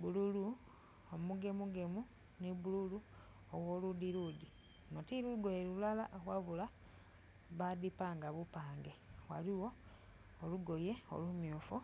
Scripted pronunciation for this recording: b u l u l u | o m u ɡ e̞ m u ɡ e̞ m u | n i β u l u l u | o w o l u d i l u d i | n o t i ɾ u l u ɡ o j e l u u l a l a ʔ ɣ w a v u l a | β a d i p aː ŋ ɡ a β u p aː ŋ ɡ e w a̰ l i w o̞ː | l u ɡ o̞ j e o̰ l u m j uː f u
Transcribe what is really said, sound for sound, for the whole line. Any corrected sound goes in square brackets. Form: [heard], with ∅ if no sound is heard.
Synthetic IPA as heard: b u l u l u | o m u ɡ e̞ m u ɡ e̞ m u | n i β u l u l u | o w o l u d i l u d i | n o t i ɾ u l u ɡ o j e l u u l a l a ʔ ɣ w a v u l a | β a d i p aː ŋ ɡ a β u p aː ŋ ɡ e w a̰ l i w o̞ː | l u ɡ o̞ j e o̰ l u m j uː f u